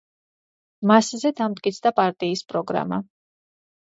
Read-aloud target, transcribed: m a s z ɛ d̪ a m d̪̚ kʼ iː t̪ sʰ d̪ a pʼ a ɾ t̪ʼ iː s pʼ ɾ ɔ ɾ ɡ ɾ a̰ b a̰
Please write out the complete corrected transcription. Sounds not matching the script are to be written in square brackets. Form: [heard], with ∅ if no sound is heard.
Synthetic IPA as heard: m a s z ɛ d̪ a m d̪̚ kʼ [i] t̪ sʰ d̪ a pʼ a ɾ t̪ʼ iː s pʼ ɾ ɔ [∅] ɡ ɾ a̰ [m] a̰